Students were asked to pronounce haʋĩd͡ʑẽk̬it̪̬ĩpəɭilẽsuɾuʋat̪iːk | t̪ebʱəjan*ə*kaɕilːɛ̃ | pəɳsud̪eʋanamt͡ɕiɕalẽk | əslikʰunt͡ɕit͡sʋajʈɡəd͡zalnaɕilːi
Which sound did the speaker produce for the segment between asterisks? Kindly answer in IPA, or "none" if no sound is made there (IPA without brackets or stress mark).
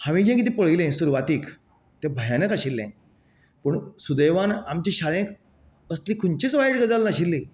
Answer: ə